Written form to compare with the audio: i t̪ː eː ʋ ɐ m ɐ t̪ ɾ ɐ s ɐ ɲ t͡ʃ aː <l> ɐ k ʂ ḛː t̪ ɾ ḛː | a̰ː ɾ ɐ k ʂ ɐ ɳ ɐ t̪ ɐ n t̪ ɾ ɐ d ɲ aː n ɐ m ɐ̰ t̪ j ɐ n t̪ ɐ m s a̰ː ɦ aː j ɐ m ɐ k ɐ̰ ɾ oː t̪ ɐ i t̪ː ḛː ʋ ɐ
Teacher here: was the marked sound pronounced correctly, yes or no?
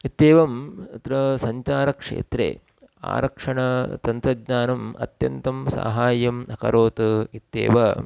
no